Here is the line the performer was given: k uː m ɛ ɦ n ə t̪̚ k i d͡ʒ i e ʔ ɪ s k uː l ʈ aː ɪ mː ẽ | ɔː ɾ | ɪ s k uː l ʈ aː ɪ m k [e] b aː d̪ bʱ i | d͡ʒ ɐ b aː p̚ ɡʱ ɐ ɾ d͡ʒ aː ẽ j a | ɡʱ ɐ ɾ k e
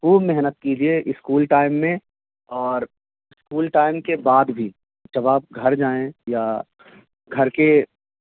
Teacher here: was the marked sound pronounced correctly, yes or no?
yes